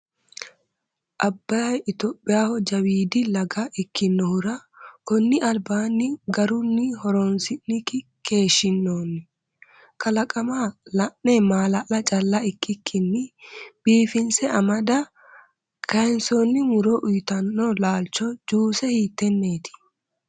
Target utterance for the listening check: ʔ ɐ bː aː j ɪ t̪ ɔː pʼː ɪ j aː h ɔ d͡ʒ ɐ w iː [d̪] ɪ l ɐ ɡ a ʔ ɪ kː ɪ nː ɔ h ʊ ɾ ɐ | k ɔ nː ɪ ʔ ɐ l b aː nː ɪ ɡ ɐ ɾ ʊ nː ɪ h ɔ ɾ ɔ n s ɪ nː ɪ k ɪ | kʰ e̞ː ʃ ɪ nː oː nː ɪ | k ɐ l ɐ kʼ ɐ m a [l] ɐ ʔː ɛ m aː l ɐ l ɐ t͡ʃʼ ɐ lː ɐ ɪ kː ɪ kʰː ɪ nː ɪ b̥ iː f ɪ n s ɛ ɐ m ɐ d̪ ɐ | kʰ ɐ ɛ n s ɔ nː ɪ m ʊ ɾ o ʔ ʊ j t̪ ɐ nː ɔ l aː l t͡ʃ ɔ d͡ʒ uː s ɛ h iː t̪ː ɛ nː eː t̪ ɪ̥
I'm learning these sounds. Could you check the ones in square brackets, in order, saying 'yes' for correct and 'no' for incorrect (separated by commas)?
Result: yes, yes